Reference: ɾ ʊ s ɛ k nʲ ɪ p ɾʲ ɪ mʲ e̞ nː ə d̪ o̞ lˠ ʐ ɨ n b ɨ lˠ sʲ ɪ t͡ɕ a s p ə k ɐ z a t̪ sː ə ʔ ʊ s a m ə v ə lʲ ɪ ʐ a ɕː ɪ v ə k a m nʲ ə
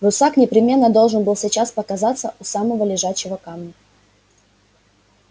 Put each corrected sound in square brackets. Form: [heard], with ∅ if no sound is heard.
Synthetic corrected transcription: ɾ ʊ s [a] k nʲ ɪ p ɾʲ ɪ mʲ e̞ nː ə d̪ o̞ lˠ ʐ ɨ n b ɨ lˠ sʲ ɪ t͡ɕ a s p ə k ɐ z a t̪ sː ə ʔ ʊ s a m ə v ə lʲ ɪ ʐ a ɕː ɪ v ə k a m nʲ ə